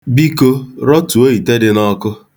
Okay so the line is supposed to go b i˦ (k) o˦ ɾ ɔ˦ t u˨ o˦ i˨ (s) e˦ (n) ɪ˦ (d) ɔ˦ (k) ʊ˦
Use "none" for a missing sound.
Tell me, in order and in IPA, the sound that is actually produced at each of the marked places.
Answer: k, t, d, n, k

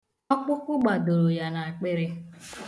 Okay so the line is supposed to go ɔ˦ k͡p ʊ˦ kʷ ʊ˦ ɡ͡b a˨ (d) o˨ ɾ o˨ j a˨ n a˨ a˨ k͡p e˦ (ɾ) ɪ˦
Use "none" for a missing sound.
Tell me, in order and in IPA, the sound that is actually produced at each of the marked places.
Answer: d, ɾ

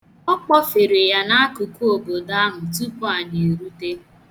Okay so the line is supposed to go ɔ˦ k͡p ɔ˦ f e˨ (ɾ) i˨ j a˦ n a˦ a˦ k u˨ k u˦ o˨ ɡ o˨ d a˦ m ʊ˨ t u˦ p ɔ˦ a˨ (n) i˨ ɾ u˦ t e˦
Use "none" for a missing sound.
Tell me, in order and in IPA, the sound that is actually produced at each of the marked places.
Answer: ɾ, n

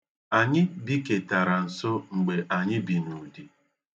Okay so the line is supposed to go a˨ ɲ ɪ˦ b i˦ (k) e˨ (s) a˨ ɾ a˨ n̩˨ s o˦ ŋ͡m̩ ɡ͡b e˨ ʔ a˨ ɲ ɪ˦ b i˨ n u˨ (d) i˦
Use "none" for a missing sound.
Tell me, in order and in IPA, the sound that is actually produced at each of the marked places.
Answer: k, t, d

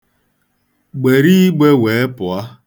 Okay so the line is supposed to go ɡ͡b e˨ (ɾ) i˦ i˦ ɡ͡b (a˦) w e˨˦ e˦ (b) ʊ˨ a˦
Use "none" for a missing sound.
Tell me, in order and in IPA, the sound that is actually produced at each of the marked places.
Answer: ɾ, e˦, p

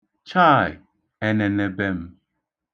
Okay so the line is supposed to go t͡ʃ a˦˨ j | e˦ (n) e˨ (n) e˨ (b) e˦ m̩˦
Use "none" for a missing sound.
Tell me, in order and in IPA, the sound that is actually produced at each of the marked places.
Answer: n, n, b

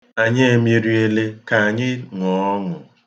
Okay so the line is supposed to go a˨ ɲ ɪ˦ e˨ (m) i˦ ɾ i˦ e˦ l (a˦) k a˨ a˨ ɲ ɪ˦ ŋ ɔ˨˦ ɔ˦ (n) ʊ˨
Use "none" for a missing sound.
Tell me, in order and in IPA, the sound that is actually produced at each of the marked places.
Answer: m, e˦, ŋ

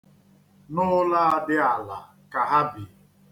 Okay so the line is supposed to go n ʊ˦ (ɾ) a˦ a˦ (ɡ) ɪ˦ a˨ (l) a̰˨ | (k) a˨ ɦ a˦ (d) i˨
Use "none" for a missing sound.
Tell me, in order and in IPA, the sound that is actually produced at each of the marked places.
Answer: l, d, l, k, b

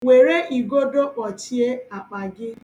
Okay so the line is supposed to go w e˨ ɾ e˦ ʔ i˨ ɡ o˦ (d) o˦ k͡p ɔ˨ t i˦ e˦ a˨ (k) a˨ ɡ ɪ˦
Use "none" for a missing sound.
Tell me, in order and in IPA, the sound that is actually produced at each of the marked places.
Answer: d, k͡p

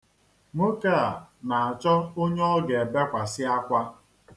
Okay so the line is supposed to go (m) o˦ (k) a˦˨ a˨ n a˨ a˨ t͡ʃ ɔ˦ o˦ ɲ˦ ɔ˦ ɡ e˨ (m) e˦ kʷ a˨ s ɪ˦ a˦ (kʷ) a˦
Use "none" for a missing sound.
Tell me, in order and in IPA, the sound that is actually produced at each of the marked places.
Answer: m, k, b, kʷ

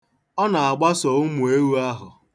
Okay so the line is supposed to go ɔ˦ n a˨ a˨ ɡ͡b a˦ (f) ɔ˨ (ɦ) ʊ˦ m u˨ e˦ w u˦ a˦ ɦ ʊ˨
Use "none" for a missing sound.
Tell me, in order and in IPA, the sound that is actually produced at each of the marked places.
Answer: s, none

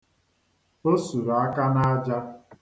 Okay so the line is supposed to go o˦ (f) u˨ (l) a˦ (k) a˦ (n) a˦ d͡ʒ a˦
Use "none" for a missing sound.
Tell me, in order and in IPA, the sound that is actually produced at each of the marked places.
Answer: s, ɾ, k, n

